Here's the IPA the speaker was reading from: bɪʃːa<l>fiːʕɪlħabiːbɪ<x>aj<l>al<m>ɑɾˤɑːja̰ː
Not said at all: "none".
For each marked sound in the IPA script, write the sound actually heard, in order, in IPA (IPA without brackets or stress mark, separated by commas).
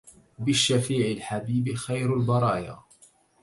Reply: none, x, ɾ, b